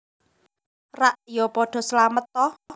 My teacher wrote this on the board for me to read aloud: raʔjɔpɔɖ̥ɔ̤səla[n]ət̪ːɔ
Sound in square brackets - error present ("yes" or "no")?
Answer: yes